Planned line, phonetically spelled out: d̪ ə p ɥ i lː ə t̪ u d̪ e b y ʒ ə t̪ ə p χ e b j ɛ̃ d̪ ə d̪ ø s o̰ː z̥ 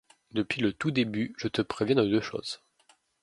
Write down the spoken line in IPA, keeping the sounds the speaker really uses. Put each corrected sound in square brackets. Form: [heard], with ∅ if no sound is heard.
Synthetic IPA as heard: d̪ ə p ɥ i [l] ə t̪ u d̪ e b y ʒ ə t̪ ə p χ e [v] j ɛ̃ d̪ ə d̪ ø [ʃ] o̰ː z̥